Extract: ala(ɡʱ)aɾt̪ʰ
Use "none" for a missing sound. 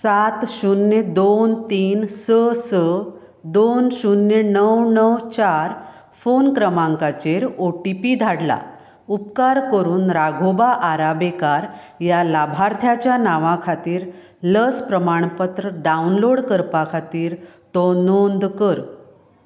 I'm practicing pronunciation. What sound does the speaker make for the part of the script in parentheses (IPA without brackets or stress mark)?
bʱ